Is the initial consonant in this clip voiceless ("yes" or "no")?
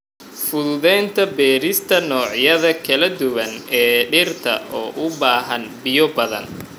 yes